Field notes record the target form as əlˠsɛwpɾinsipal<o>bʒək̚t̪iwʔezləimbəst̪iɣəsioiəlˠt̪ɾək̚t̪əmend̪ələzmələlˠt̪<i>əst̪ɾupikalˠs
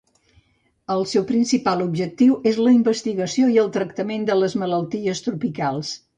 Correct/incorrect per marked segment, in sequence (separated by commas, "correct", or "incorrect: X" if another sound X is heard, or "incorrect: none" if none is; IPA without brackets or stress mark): incorrect: u, correct